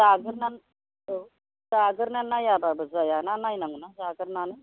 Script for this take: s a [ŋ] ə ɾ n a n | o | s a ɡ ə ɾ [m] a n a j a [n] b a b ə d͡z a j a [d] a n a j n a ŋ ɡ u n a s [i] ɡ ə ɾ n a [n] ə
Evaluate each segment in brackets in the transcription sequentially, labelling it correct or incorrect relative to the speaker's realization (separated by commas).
incorrect, incorrect, incorrect, incorrect, incorrect, correct